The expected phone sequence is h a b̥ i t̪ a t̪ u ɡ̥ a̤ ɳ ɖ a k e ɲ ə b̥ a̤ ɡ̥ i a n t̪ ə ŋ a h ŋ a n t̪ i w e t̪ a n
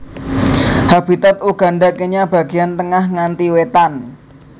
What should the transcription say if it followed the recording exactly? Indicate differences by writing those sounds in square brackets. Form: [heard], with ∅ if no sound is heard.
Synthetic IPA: h a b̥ i t̪ a t̪ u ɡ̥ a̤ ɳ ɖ a k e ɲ [a] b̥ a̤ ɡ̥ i a n t̪ ə ŋ a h ŋ a n t̪ i w e t̪ a n